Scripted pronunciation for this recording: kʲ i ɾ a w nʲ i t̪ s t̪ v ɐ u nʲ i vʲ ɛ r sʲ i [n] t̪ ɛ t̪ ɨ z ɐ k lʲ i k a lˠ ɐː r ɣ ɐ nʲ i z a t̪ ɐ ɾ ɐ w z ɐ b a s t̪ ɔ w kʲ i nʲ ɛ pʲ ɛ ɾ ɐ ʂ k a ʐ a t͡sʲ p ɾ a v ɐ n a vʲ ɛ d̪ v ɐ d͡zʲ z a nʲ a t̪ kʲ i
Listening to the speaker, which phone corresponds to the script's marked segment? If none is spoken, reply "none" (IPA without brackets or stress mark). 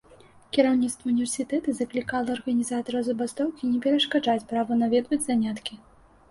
none